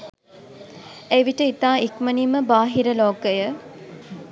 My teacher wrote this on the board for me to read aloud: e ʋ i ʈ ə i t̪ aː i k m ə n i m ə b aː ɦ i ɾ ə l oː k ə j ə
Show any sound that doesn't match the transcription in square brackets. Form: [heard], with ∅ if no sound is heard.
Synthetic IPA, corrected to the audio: e ʋ i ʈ ə i t̪ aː i k m ə n i m ə b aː ɦ i ɾ ə l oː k ə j ə